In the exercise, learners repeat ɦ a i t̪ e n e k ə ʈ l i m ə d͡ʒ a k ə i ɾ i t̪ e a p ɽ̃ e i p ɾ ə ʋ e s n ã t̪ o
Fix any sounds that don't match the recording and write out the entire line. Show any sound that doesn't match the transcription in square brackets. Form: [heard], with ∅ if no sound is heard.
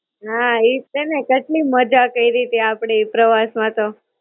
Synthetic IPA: ɦ a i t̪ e n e k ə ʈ l i m ə d͡ʒ a k ə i ɾ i t̪ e a p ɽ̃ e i p ɾ ə ʋ [a] s [m] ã t̪ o

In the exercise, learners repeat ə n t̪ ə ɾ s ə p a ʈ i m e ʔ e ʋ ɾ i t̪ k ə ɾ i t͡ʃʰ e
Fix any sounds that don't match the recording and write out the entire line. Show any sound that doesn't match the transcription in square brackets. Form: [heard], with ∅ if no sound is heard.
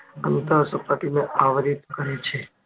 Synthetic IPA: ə n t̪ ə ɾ s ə p a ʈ i [n] e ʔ [a] ʋ ɾ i t̪ k ə ɾ [e] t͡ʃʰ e

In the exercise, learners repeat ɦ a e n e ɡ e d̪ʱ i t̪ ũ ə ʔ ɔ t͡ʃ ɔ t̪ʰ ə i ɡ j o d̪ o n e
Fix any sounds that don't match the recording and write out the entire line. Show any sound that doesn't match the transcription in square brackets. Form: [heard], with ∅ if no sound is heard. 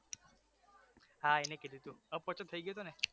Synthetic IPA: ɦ a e n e [k] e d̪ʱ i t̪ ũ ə [p] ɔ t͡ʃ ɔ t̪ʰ ə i ɡ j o [t̪] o n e

